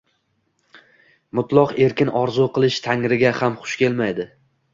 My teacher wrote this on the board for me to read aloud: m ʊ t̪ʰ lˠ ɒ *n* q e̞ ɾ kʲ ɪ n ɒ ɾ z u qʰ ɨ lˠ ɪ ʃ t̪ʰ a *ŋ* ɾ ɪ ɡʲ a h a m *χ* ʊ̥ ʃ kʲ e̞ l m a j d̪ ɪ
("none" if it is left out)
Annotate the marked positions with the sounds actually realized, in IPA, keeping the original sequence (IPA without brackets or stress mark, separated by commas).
none, ŋ, χ